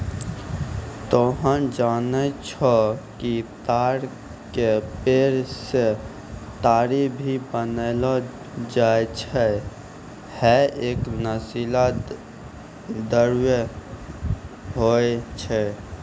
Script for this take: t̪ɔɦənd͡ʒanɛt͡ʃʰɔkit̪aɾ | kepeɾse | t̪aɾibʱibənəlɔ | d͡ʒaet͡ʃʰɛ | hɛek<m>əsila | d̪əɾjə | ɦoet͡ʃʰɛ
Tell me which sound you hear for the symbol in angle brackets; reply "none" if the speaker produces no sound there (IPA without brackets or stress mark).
n